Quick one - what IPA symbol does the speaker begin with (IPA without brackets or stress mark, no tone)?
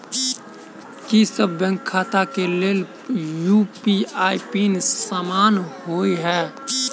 k